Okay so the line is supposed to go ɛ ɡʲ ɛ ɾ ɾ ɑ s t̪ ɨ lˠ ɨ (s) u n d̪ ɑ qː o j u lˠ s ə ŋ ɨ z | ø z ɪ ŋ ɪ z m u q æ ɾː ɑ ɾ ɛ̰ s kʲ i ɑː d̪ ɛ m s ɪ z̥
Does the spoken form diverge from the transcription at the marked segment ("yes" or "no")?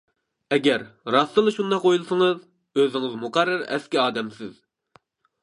yes